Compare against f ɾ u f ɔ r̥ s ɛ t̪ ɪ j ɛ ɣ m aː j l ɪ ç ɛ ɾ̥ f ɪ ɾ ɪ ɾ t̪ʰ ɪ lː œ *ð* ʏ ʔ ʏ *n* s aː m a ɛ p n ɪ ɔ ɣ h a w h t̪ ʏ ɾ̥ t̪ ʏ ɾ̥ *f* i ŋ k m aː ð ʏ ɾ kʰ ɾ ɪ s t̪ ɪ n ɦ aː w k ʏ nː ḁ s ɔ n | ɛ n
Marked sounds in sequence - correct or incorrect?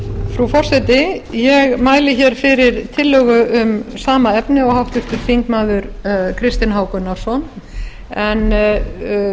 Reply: incorrect: ɣ, incorrect: m, correct

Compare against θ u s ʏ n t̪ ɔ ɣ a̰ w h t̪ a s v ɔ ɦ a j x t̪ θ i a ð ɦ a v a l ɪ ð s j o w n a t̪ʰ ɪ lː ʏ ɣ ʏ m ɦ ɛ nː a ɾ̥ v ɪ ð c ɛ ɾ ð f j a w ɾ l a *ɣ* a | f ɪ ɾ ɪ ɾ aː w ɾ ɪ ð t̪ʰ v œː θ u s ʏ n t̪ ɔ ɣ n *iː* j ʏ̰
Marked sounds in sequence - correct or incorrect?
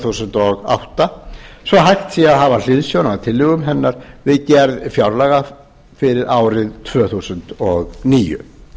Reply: correct, correct

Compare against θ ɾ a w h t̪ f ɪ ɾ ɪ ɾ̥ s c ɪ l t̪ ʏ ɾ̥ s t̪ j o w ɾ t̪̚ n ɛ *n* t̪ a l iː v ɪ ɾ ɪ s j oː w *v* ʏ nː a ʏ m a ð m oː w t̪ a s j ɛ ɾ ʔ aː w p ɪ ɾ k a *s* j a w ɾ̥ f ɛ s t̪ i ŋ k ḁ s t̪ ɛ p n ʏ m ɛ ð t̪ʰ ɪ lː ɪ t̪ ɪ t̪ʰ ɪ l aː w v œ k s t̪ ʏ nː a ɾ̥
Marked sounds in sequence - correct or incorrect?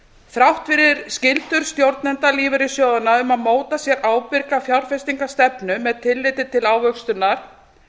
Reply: correct, incorrect: ð, incorrect: f

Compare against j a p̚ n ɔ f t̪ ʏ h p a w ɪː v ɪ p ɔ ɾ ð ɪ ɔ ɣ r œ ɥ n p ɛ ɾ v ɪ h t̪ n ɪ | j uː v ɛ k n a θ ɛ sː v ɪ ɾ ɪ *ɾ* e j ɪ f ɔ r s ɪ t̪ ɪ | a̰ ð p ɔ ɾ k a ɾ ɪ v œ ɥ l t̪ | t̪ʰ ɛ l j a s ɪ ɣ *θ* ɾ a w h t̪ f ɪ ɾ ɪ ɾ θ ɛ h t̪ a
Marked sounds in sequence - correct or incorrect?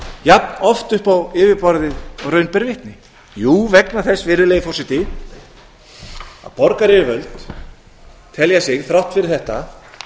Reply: incorrect: l, correct

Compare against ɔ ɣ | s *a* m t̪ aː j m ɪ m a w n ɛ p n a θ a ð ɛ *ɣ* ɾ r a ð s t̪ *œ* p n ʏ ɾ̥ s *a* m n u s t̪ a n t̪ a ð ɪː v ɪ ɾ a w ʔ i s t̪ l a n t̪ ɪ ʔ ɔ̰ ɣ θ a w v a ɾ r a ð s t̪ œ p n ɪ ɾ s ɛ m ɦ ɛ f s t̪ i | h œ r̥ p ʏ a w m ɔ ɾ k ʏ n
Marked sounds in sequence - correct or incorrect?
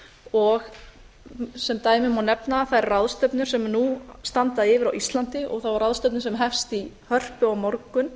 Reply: incorrect: ɛ, incorrect: none, correct, incorrect: ɛ

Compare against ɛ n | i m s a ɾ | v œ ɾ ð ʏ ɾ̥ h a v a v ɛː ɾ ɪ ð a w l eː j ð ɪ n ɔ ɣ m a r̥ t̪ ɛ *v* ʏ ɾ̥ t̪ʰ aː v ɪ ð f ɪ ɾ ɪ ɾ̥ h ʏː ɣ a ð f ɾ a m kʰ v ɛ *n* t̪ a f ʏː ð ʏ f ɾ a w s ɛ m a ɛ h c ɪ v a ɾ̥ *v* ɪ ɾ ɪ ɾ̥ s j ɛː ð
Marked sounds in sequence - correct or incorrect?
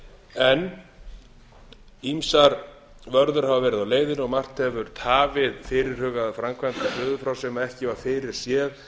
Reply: correct, correct, incorrect: f

